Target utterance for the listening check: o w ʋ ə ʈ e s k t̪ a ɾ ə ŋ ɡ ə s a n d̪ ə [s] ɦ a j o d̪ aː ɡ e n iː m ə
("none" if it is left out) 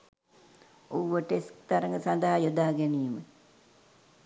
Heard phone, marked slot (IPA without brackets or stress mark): none